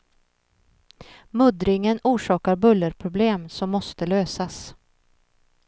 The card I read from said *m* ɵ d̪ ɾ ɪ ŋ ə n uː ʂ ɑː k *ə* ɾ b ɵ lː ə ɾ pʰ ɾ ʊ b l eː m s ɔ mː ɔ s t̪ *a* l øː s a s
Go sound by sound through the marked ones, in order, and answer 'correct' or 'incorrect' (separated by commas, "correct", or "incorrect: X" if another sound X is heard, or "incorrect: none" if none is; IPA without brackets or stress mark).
correct, incorrect: a, incorrect: ə